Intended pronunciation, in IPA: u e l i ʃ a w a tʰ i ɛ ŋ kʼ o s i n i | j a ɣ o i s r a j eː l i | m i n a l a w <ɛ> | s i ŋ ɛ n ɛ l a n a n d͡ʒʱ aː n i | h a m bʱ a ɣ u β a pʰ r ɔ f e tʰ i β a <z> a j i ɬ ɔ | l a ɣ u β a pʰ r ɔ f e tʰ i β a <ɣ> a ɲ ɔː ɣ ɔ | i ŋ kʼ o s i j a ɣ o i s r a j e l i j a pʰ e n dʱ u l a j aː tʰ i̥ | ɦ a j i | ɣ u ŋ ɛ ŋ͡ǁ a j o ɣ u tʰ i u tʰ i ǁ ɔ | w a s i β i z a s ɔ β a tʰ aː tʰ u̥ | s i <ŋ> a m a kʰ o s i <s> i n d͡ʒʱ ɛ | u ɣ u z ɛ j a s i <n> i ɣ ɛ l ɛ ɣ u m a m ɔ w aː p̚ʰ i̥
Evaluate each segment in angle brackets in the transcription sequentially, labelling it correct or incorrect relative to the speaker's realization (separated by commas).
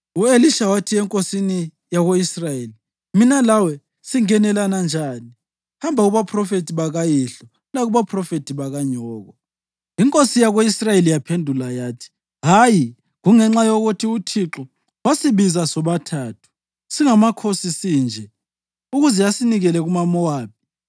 correct, incorrect, correct, correct, correct, correct